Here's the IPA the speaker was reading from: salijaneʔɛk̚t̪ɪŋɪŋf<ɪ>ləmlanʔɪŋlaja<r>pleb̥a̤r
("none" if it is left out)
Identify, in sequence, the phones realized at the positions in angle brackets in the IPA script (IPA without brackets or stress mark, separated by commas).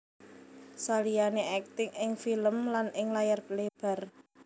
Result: i, r